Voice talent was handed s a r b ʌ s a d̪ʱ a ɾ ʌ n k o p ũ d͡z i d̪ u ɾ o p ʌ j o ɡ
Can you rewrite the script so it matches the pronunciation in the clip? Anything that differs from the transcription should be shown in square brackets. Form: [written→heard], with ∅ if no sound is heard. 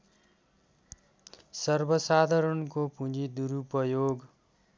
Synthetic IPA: s [a→ʌ] r b ʌ s a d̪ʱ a ɾ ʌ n k o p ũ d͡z i d̪ u ɾ [o→u] p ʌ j o ɡ